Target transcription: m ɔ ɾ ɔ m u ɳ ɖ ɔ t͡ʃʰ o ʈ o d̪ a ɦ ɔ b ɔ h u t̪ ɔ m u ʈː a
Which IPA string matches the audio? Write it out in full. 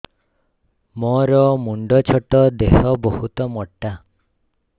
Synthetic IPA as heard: m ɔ ɾ ɔ m u ɳ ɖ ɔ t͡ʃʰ ɔ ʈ ɔ d̪ e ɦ ɔ b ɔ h u t̪ ɔ m ɔ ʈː a